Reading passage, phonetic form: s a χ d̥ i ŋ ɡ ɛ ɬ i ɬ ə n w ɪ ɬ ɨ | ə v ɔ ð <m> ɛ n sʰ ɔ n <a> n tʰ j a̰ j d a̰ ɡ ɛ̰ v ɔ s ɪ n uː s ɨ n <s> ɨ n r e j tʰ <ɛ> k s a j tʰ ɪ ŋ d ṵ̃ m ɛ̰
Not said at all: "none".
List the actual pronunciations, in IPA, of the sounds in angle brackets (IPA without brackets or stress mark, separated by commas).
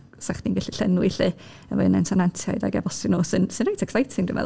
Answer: n, a, s, ɛ